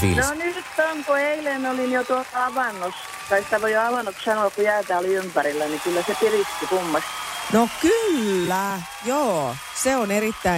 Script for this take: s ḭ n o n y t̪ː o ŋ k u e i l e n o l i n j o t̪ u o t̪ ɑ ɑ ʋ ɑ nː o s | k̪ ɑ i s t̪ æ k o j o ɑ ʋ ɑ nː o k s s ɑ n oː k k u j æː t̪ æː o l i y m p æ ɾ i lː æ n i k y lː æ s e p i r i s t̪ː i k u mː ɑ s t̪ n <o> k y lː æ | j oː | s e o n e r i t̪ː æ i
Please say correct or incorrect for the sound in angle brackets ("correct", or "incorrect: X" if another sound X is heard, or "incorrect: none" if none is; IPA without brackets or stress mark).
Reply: correct